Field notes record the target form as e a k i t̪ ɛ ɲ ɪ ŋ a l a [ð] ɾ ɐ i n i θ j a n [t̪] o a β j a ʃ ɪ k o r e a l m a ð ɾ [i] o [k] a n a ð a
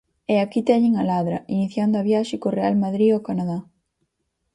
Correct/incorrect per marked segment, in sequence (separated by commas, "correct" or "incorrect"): correct, incorrect, correct, correct